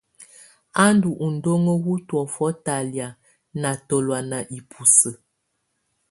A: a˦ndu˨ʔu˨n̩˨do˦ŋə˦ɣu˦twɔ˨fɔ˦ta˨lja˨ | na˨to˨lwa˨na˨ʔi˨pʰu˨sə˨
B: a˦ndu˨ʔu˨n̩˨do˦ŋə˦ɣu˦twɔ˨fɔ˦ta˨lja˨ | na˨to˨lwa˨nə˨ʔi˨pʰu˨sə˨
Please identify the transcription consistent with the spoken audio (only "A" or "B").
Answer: A